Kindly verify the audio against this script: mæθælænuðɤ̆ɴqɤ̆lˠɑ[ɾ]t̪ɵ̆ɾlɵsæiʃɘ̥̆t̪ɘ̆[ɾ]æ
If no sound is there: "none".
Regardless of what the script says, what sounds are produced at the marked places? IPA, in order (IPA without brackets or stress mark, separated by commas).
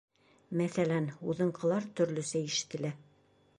ɾ, l